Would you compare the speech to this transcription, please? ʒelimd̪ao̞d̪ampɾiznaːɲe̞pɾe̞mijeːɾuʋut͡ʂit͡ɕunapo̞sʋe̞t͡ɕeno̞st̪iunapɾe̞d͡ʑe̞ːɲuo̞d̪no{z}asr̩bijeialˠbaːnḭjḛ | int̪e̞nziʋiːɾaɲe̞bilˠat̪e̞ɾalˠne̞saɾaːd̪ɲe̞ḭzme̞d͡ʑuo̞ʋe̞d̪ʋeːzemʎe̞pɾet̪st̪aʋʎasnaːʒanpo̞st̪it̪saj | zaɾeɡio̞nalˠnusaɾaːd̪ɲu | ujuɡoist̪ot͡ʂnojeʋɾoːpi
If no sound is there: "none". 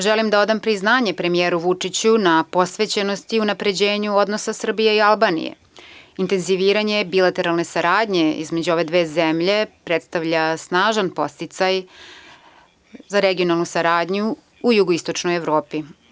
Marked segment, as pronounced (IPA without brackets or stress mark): s